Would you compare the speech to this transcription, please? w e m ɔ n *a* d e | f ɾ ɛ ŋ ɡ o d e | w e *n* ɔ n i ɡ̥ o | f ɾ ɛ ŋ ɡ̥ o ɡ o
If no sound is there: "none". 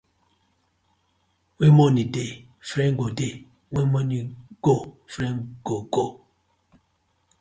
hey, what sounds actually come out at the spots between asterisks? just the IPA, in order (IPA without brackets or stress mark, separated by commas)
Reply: i, m